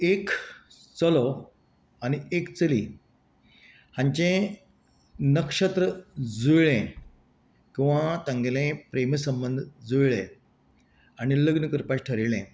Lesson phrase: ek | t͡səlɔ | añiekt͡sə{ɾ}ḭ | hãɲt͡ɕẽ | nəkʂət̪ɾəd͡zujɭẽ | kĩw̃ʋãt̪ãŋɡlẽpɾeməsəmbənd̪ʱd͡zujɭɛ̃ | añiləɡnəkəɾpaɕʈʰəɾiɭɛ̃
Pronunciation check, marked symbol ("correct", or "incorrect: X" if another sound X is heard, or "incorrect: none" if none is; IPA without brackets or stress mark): incorrect: l